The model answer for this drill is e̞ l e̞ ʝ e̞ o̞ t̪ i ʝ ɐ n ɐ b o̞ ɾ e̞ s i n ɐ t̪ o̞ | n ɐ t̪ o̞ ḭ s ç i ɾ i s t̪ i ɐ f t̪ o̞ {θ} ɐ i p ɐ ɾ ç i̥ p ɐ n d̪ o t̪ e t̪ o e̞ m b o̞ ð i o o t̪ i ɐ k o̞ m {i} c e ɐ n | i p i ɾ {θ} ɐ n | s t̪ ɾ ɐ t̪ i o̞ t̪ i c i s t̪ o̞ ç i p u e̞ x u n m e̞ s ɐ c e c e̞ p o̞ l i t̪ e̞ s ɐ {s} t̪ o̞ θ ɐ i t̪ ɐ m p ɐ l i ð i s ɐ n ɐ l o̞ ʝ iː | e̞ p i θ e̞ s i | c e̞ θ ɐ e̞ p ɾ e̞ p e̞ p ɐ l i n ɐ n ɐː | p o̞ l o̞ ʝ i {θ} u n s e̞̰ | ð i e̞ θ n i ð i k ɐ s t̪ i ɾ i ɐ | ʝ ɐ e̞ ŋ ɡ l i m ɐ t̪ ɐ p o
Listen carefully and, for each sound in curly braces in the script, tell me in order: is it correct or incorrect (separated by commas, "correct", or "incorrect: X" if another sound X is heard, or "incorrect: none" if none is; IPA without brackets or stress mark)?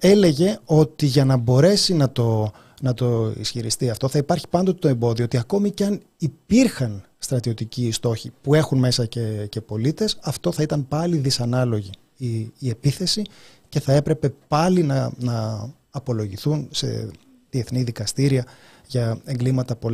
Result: correct, correct, incorrect: x, incorrect: f, correct